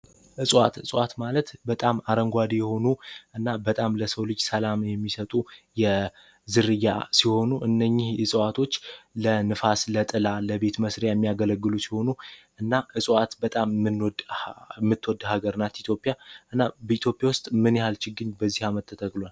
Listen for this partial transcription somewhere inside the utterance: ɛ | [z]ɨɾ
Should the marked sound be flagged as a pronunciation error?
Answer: no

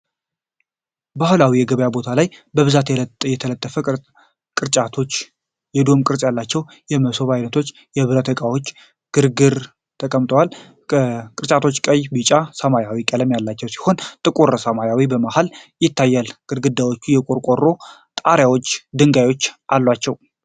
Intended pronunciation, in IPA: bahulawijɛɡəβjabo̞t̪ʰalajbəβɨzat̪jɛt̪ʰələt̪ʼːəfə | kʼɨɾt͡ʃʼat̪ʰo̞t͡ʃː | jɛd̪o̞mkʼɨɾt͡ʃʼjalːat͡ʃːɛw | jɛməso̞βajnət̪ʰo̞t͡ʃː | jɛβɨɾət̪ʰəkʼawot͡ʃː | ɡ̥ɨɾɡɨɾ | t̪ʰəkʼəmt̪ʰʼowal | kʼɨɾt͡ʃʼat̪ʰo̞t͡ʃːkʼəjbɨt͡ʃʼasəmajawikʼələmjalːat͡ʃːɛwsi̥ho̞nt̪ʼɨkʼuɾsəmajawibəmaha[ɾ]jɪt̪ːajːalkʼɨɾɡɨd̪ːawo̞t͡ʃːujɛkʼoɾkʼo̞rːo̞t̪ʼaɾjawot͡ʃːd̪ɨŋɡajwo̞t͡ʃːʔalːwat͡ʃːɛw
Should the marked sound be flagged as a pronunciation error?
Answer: yes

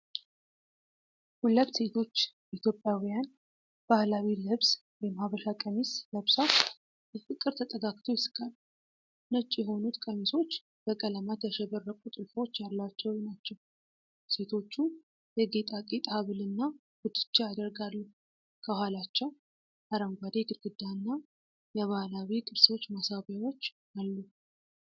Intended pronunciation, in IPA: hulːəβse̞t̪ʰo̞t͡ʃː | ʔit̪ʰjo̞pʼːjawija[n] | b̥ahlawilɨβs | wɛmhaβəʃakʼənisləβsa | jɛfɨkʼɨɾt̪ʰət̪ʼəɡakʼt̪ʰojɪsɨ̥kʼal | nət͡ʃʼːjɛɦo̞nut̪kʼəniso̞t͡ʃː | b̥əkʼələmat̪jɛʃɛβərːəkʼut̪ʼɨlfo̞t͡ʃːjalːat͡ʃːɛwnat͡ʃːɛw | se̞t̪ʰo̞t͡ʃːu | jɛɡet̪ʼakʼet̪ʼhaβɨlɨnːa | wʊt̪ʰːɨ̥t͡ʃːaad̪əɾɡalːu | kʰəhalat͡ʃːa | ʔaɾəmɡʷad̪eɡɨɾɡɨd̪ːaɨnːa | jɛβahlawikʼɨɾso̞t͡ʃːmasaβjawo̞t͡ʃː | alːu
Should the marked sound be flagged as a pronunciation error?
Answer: no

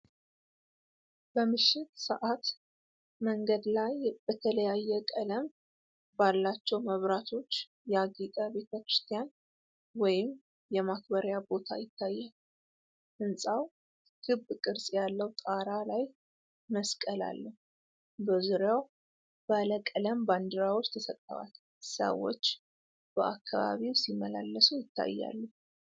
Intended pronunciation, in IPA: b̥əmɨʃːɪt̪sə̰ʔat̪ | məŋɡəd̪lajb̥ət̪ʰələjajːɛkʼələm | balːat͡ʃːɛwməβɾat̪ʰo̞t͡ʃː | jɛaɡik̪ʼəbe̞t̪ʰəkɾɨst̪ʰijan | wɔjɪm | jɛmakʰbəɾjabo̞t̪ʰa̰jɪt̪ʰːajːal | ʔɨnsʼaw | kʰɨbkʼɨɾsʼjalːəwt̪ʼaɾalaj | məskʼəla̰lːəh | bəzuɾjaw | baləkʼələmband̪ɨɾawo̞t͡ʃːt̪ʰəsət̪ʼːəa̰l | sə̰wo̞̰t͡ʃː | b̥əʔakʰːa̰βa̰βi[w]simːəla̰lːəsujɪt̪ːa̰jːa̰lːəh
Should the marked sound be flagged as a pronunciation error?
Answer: no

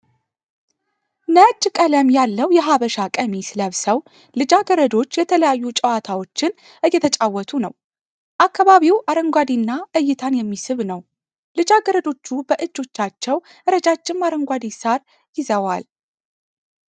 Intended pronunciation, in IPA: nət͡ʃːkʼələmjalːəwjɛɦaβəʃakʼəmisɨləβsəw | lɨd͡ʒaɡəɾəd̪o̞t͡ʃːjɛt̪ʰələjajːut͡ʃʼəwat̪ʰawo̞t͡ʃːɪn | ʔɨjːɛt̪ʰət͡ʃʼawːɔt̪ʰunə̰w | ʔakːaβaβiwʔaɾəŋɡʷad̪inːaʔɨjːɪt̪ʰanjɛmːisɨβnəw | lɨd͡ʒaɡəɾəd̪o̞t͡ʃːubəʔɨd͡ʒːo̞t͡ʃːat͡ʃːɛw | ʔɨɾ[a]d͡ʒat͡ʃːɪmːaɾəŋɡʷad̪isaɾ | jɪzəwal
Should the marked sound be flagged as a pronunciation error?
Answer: yes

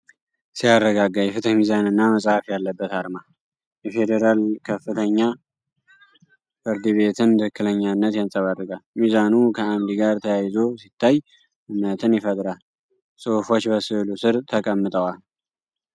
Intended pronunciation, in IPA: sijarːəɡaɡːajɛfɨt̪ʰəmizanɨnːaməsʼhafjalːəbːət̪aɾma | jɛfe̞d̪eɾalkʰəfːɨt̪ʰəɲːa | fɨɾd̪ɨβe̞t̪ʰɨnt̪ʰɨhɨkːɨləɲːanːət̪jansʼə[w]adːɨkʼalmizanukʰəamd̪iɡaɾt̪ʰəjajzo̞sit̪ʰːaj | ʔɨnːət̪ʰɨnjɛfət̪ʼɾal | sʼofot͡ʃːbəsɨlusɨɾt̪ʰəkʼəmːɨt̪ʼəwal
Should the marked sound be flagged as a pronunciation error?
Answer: yes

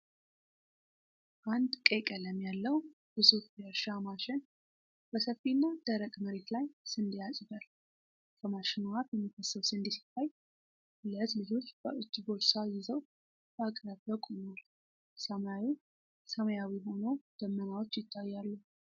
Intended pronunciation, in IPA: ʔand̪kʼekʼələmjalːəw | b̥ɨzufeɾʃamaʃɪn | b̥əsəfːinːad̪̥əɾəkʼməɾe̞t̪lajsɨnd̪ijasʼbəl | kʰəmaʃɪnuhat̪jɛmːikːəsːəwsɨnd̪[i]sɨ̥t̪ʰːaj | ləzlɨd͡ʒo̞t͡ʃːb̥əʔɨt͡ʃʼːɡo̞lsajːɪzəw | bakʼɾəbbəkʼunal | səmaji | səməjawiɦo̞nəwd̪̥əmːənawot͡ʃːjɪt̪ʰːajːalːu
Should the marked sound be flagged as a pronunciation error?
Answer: no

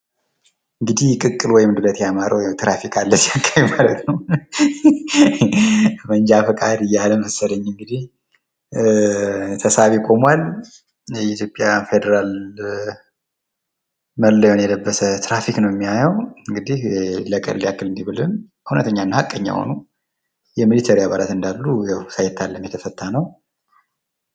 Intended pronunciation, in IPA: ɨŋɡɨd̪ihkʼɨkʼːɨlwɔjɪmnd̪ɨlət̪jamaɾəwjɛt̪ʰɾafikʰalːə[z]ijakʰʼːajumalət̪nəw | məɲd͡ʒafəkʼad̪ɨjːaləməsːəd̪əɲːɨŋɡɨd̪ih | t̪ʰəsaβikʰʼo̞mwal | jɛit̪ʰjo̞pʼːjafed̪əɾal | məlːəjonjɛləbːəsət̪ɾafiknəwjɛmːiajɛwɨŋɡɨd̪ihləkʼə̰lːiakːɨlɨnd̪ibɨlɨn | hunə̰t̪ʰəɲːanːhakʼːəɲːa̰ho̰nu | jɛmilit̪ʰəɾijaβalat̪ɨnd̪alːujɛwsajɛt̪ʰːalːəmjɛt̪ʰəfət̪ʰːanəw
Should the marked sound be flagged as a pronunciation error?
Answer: yes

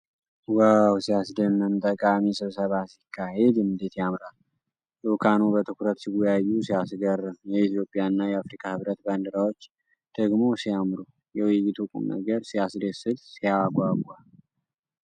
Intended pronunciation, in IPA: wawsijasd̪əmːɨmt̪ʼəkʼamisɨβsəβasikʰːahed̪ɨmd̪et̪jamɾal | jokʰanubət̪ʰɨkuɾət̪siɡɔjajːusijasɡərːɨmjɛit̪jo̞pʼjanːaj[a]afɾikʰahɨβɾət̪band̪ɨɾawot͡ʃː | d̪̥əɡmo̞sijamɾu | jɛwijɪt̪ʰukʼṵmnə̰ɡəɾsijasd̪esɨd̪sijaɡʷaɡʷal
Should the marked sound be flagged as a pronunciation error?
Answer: yes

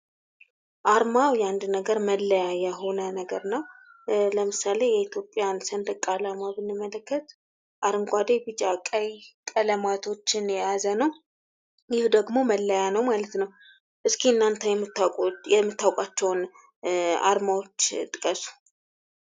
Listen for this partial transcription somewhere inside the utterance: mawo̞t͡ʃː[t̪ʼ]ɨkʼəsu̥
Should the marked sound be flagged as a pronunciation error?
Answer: no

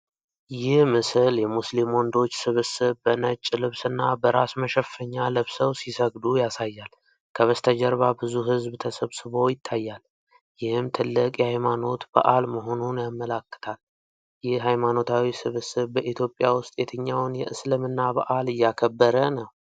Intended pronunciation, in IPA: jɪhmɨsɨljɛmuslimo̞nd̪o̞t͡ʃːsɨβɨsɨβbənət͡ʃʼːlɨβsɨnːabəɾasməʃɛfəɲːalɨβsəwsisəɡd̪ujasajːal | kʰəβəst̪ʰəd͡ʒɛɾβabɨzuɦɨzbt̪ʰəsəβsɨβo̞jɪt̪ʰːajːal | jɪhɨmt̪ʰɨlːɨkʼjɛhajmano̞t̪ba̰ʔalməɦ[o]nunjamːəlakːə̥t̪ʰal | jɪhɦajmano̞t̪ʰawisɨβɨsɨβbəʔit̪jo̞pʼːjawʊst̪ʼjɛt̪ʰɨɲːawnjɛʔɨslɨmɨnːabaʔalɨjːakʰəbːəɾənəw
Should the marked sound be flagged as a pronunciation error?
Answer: no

